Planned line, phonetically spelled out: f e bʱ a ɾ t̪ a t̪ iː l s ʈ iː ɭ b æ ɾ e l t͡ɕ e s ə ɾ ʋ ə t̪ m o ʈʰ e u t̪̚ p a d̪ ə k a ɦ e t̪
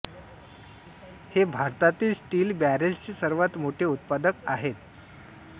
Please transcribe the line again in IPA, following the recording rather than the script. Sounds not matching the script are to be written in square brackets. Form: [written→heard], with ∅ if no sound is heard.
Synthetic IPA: [f→h] e bʱ a ɾ t̪ a t̪ iː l s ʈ iː [ɭ→l] b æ ɾ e l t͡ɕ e s ə ɾ ʋ [ə→a] t̪ m o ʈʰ e u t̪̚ p a d̪ ə k a ɦ e t̪